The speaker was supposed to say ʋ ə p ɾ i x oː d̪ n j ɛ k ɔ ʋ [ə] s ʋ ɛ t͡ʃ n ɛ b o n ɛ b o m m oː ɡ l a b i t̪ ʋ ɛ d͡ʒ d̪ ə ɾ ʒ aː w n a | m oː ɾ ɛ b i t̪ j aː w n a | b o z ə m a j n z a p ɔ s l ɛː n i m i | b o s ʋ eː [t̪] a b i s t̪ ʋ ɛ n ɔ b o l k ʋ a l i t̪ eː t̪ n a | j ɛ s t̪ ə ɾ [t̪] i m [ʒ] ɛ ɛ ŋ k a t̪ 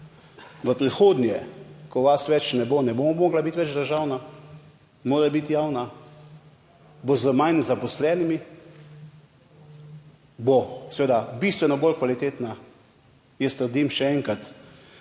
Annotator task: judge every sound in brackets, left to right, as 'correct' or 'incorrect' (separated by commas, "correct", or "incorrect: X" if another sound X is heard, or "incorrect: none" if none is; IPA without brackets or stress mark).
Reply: incorrect: a, incorrect: d̪, incorrect: d̪, incorrect: ʃ